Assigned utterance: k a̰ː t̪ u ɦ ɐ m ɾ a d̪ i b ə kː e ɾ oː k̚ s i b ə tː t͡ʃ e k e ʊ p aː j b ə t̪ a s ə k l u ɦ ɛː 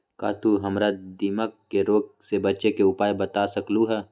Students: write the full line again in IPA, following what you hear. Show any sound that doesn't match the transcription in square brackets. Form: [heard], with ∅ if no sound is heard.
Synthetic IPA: k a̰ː t̪ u ɦ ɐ m ɾ a d̪ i [m] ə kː e ɾ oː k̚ s [e] b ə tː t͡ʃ e k e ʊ p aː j b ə t̪ a s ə k l u ɦ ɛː